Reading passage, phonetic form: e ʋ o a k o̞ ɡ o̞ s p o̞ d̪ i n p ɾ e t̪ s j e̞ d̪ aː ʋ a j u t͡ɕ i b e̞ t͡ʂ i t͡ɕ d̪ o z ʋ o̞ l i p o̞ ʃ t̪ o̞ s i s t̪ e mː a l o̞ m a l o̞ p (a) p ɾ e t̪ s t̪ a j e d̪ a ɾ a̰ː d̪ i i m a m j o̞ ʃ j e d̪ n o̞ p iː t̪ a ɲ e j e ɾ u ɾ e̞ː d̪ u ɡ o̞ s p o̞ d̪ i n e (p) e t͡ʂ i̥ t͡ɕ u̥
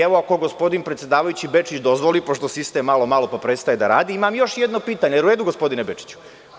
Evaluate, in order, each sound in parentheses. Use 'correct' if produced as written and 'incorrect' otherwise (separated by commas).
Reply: correct, incorrect